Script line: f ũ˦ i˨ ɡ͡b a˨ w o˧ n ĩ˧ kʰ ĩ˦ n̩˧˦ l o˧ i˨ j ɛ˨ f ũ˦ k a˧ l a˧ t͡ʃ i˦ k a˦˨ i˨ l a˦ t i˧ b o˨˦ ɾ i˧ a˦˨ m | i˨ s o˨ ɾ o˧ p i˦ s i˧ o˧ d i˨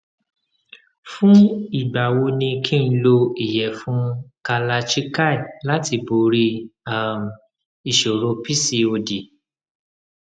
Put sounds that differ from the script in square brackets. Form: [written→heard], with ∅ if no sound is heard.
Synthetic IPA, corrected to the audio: f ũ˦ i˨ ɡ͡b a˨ w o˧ n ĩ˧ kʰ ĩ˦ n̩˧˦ l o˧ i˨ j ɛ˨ f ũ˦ k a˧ l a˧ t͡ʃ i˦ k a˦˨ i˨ l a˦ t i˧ b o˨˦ ɾ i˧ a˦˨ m | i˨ [s→ʃ] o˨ ɾ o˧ p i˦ s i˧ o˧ d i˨